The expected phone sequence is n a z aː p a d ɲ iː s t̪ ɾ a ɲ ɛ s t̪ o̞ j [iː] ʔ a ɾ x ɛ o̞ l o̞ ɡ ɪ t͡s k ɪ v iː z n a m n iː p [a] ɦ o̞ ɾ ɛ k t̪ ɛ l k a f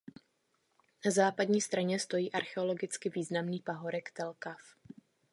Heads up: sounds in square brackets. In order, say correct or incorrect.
correct, correct

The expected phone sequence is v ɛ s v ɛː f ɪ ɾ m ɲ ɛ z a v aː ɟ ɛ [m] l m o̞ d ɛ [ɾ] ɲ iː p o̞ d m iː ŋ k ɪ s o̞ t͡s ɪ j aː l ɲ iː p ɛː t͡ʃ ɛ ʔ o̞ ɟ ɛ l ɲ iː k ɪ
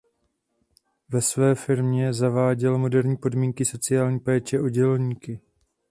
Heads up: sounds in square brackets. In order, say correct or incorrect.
incorrect, correct

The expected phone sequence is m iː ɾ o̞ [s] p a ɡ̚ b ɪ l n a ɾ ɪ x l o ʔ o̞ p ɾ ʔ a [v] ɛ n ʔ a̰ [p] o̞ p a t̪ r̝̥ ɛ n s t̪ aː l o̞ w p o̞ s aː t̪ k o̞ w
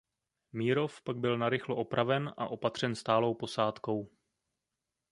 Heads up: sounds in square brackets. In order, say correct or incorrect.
incorrect, correct, incorrect

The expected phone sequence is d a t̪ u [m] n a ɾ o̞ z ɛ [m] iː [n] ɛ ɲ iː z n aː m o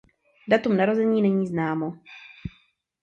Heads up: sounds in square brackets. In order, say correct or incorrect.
correct, incorrect, correct

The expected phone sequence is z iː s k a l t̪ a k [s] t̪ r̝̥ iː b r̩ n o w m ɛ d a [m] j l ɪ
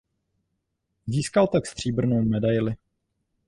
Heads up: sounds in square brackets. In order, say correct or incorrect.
correct, incorrect

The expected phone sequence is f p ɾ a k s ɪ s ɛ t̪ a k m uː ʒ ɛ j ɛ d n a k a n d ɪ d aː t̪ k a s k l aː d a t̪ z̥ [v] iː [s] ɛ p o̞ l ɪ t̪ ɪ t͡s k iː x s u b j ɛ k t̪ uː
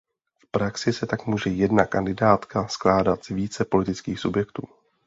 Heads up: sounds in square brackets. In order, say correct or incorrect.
correct, incorrect

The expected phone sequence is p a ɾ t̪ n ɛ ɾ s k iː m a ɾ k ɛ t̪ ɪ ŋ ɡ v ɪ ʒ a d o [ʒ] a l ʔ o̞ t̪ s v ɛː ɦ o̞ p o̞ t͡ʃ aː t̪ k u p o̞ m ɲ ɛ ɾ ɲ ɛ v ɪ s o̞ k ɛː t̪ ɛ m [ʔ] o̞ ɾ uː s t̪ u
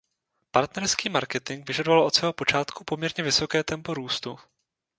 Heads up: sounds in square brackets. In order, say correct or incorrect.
incorrect, incorrect

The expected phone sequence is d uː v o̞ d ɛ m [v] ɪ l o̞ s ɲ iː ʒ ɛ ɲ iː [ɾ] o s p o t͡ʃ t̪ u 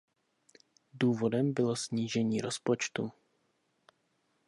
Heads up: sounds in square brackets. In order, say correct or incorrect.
incorrect, correct

